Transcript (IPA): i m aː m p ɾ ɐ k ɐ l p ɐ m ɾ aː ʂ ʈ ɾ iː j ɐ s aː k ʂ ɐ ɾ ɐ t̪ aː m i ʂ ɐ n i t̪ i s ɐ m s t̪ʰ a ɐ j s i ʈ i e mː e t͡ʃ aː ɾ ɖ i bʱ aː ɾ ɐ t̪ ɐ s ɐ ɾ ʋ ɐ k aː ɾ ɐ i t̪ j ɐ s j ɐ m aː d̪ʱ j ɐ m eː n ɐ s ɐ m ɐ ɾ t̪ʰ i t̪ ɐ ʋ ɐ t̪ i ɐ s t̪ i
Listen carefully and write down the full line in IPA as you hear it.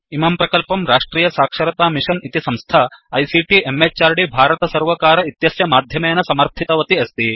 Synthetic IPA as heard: i m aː m p ɾ ɐ k ɐ l p ɐ m ɾ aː ʂ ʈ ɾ iː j ɐ s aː k ʂ ɐ ɾ ɐ t̪ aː m i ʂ ɐ n i t̪ i s ɐ m s t̪ʰ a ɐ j s i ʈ i e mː e t͡ʃ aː ɾ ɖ i bʱ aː ɾ ɐ t̪ ɐ s ɐ ɾ ʋ ɐ k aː ɾ ɐ i t̪ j ɐ s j ɐ m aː d̪ʱ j ɐ m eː n ɐ s ɐ m ɐ ɾ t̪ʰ i t̪ ɐ ʋ ɐ t̪ i ɐ s t̪ i